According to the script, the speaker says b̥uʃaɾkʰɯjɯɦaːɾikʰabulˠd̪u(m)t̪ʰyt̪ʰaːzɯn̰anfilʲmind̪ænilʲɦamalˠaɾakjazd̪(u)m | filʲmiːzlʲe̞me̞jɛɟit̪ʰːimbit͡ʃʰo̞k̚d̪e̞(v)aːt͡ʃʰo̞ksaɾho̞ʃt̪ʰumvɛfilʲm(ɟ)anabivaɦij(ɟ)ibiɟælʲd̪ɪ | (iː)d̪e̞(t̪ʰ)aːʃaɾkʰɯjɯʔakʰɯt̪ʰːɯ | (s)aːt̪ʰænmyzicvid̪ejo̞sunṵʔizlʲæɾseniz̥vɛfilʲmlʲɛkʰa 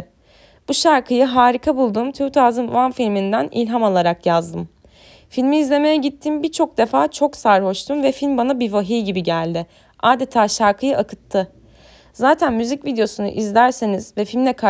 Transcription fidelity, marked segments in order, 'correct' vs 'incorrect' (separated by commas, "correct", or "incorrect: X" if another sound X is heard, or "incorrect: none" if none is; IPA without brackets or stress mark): correct, incorrect: ɯ, incorrect: f, incorrect: b, correct, incorrect: aː, correct, incorrect: z